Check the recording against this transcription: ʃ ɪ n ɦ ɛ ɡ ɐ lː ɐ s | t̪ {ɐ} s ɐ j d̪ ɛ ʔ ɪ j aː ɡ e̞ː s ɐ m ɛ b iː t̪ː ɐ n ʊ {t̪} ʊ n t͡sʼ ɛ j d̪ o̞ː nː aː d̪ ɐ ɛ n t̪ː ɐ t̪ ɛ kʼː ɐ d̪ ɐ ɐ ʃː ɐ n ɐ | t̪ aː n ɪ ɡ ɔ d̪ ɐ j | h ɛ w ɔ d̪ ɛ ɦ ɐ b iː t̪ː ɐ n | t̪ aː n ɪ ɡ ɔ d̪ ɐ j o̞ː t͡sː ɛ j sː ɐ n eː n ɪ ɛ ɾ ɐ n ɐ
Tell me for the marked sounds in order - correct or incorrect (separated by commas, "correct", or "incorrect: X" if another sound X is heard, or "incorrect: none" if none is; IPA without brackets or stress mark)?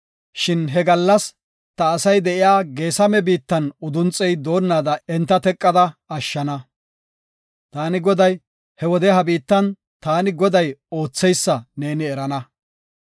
incorrect: ɐː, incorrect: d̪